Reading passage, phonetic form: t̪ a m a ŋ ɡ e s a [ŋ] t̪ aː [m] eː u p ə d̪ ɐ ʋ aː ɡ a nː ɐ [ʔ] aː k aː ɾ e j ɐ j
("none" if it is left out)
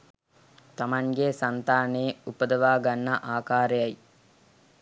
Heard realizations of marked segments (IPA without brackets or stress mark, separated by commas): n, n, ʔ